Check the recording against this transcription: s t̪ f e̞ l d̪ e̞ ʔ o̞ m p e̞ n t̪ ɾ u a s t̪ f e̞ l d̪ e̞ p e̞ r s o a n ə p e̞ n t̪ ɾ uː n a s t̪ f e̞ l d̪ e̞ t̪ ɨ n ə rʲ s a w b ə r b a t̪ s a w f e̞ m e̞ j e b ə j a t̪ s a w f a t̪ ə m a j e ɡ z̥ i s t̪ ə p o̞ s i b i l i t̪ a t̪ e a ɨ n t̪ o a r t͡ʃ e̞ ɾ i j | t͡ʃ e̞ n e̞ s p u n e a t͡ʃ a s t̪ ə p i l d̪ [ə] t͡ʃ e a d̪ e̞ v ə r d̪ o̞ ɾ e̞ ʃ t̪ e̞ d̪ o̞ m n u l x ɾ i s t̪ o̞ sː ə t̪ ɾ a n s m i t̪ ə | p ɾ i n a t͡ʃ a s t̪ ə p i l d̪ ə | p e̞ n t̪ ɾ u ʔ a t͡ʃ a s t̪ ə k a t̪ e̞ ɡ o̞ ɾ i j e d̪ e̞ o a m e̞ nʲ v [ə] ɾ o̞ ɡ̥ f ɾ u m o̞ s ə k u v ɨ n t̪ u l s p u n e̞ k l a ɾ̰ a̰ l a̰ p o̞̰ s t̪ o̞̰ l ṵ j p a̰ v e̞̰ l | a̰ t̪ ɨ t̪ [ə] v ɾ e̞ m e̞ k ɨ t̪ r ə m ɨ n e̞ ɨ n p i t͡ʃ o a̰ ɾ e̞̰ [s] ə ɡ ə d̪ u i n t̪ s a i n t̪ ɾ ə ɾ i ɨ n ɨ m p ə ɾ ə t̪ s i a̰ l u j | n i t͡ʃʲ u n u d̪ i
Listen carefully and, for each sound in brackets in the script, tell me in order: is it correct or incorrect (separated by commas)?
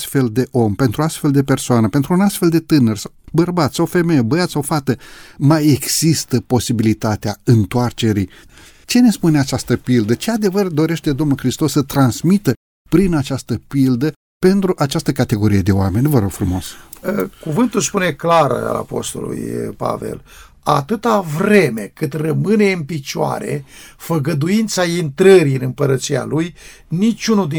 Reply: correct, correct, incorrect, incorrect